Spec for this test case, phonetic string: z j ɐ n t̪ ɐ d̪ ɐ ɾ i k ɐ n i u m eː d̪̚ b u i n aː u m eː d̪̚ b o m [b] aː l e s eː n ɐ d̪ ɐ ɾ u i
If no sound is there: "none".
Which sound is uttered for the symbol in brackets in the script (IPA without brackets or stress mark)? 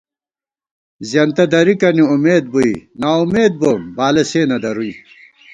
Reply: b